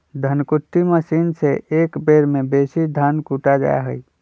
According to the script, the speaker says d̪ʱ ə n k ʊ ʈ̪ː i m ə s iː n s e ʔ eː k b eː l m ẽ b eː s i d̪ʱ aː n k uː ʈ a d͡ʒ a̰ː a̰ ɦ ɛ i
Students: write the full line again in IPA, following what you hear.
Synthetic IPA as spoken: d̪ʱ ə n k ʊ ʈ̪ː i m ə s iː n s e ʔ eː k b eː ɾ m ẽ b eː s i d̪ʱ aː n k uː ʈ a d͡ʒ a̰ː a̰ ɦ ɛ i